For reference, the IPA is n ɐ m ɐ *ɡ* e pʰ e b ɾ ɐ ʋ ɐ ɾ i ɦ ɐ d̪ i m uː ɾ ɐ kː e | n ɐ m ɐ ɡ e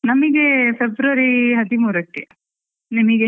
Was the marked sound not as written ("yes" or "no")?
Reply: no